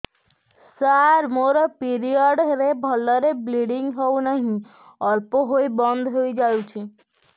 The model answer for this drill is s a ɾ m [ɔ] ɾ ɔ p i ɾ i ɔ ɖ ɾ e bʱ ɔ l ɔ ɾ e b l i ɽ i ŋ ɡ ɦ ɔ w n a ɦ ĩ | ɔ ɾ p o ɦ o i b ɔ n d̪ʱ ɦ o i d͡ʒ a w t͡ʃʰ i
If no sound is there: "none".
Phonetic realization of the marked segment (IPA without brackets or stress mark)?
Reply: o